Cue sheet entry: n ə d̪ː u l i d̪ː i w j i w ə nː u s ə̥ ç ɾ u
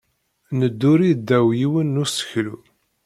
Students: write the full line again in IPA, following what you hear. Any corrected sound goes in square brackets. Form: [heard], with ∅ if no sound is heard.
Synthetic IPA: n ə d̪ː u [ɾ] i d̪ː [æ] w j i w ə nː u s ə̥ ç [l] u